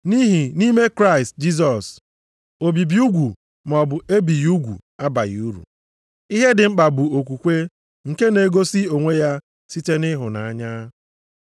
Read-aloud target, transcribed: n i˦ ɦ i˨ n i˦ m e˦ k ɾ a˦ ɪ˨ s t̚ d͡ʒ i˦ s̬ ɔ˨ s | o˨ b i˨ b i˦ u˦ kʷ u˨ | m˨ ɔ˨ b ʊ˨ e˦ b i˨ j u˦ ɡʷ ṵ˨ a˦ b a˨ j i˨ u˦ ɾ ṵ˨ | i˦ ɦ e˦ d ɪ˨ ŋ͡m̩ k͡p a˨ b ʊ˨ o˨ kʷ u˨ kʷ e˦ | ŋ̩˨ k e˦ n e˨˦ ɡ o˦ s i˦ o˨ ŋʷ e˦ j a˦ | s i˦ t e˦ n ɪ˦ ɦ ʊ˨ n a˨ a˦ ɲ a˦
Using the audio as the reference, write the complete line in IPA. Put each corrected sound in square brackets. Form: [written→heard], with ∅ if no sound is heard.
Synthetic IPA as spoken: n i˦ ɦ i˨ n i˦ m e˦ k ɾ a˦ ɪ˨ s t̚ d͡ʒ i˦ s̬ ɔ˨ s | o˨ b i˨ b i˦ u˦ [kʷ→ɡʷ] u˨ | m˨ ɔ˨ b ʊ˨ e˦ b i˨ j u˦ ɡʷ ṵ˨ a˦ b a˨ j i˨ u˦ ɾ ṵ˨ | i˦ ɦ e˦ d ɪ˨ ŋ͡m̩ k͡p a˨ b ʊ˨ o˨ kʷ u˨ kʷ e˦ | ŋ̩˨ k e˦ n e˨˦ ɡ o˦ s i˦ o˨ ŋʷ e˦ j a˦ | s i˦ t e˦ n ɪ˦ ɦ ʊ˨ n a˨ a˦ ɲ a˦